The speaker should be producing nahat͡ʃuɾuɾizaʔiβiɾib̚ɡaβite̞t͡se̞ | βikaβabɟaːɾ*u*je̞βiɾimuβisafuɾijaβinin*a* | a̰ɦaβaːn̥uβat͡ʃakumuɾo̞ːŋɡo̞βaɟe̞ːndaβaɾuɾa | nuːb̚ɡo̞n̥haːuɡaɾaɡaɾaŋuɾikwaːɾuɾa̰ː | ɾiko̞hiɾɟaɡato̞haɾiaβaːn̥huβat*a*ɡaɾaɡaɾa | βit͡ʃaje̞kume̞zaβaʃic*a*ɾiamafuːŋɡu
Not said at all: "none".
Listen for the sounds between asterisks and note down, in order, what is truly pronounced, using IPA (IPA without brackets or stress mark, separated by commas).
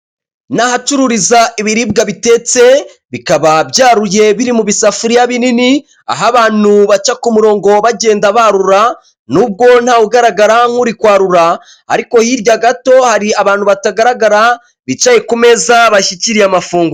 u, i, a, i